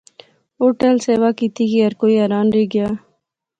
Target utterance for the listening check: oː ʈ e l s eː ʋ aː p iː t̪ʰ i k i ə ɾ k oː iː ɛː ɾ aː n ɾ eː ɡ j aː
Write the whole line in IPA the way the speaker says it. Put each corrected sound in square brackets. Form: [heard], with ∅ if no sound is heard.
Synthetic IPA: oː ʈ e l s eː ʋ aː [k] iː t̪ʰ i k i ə ɾ k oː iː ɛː ɾ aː n ɾ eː ɡ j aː

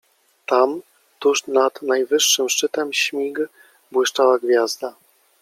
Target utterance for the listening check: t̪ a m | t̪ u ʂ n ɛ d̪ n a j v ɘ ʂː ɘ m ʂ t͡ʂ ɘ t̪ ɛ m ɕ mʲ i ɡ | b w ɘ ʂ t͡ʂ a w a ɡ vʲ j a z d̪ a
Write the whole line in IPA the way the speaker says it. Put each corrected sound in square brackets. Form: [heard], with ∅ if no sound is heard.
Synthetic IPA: t̪ a m | t̪ u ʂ n [a] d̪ n a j v ɘ ʂː ɘ m ʂ t͡ʂ ɘ t̪ ɛ m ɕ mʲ i ɡ | b w ɘ ʂ t͡ʂ a w a ɡ vʲ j a z d̪ a

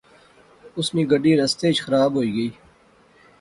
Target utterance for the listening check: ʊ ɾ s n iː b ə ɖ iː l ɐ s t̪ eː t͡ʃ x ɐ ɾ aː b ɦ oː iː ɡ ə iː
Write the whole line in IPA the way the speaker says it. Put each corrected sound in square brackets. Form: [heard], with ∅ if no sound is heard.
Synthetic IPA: ʊ [∅] s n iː [ɡ] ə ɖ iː [ɾ] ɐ s t̪ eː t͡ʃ x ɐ ɾ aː b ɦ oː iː ɡ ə iː

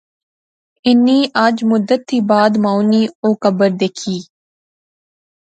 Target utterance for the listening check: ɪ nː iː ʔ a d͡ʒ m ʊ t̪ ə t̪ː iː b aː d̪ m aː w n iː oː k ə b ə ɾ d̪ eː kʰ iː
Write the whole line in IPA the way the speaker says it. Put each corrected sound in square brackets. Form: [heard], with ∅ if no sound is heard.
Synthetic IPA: ɪ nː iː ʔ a d͡ʒ m ʊ [d̪] ə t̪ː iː b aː d̪ m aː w n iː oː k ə b ə ɾ d̪ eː kʰ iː

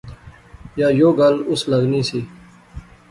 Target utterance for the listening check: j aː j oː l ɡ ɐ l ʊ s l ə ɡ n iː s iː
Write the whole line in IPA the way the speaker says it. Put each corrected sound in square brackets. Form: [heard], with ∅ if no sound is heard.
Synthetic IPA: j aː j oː [∅] ɡ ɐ l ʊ s l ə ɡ n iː s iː

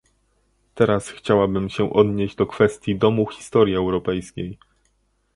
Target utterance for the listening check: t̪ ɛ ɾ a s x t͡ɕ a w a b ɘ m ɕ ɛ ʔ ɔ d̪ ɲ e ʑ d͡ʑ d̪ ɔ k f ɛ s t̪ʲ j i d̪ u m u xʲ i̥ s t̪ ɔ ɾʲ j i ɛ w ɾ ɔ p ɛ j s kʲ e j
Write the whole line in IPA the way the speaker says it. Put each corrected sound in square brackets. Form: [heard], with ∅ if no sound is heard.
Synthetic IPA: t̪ ɛ ɾ a s x t͡ɕ a w a b ɘ m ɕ ɛ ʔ ɔ d̪ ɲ e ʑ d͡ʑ d̪ ɔ k f ɛ s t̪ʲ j i d̪ [ɔ] m u xʲ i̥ s t̪ ɔ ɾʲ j i ɛ w ɾ ɔ p ɛ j s kʲ e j

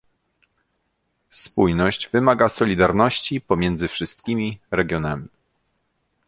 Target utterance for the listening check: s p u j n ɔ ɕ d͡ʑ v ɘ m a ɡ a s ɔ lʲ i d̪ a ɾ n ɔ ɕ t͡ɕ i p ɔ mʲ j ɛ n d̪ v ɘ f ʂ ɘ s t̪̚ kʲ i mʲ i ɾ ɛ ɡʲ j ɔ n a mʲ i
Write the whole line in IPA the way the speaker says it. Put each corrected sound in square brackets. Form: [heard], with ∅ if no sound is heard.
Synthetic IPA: s p u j n ɔ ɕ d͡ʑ v ɘ m a ɡ a s ɔ lʲ i d̪ a ɾ n ɔ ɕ t͡ɕ i p ɔ mʲ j ɛ n d̪ [z] ɘ f ʂ ɘ s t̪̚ kʲ i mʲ i ɾ ɛ ɡʲ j ɔ n a mʲ i

